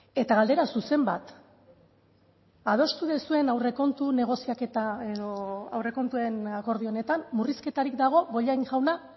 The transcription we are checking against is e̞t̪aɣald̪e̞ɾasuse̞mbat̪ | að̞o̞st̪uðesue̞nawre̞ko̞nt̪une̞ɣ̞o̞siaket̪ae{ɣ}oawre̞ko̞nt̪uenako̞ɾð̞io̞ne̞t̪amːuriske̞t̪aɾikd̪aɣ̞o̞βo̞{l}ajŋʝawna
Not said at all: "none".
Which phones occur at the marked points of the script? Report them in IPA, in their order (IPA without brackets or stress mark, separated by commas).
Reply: ð, ʎ